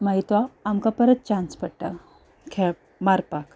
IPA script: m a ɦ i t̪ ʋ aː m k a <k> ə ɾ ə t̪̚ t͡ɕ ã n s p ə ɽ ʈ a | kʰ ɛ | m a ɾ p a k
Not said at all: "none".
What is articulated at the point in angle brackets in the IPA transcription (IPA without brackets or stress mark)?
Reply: p